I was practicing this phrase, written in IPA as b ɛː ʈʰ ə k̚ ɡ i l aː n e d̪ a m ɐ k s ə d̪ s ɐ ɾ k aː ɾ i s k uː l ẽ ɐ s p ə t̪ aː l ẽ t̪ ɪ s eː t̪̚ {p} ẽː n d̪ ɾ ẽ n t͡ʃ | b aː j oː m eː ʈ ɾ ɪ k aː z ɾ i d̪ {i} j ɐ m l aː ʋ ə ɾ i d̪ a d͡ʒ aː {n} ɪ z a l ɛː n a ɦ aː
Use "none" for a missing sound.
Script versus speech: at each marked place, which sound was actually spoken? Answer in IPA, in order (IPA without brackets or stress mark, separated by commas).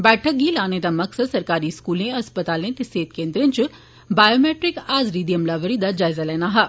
k, i, none